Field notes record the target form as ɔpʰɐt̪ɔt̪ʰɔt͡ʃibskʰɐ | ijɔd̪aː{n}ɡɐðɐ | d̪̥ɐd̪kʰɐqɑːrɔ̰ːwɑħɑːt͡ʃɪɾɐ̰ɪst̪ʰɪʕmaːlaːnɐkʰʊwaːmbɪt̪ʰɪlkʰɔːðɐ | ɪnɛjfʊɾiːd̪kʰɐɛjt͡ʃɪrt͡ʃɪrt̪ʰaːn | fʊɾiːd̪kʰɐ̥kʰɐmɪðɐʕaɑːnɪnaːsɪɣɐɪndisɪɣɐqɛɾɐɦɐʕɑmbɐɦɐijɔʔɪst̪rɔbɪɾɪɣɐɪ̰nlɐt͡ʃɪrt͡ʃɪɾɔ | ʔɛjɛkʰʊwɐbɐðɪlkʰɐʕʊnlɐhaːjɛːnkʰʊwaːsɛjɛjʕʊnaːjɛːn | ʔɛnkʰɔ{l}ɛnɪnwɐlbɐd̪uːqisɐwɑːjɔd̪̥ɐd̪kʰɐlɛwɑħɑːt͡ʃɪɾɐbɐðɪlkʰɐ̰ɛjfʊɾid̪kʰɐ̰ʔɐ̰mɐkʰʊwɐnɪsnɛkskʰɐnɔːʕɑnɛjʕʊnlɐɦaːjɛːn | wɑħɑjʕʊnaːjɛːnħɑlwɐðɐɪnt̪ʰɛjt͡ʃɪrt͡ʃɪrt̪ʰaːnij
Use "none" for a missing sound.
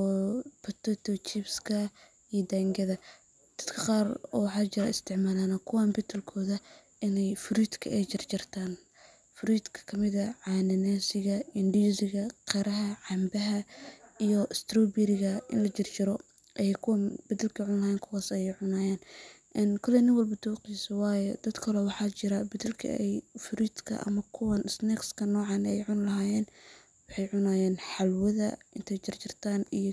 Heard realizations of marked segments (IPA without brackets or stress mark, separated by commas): ŋ, l